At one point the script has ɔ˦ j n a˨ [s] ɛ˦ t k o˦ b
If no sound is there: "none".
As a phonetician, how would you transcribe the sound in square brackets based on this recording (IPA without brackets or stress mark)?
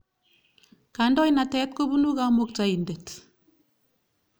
t